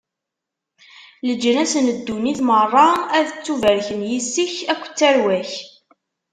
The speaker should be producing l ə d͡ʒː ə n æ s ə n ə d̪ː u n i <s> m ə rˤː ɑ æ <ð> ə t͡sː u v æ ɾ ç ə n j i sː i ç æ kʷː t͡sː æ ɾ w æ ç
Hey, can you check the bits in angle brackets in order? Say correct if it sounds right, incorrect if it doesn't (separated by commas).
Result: incorrect, correct